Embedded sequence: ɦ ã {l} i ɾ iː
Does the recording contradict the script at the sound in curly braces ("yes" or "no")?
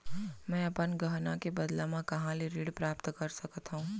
no